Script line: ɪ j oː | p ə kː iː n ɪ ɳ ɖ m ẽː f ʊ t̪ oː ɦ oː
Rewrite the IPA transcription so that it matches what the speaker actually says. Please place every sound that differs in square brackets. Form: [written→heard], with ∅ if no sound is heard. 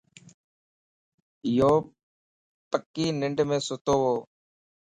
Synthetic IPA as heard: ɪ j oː | p ə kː iː n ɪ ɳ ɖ m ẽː [f→s] ʊ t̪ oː ɦ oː